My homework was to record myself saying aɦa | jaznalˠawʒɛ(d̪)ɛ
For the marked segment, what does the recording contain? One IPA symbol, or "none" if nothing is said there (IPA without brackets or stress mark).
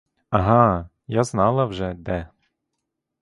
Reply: d̪